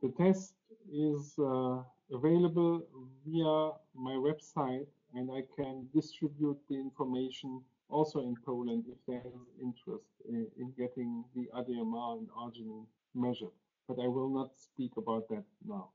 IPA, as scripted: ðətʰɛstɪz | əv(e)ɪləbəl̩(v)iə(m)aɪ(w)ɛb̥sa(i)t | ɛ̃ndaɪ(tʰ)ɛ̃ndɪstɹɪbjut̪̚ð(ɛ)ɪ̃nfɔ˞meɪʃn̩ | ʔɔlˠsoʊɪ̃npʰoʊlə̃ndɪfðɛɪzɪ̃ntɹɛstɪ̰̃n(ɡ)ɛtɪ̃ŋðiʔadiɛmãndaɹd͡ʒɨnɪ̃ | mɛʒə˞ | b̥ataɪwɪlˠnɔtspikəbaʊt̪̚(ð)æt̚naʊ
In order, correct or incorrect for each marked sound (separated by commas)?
correct, correct, correct, correct, incorrect, incorrect, incorrect, correct, correct